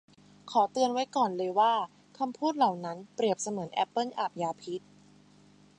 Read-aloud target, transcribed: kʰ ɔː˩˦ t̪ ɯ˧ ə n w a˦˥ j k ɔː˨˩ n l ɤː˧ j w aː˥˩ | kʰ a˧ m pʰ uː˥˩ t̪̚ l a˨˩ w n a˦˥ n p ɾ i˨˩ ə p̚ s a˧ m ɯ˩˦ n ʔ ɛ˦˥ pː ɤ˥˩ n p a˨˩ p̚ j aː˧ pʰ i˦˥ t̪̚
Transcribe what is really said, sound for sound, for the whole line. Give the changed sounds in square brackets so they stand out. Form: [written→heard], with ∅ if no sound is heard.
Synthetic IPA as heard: kʰ ɔː˩˦ t̪ ɯ˧ ə n w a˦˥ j k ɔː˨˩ n l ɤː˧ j w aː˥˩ | kʰ a˧ m pʰ uː˥˩ t̪̚ l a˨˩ w n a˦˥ n p ɾ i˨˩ ə p̚ s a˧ m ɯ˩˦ n ʔ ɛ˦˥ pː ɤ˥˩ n [p→ʔ] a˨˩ p̚ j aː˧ pʰ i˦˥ t̪̚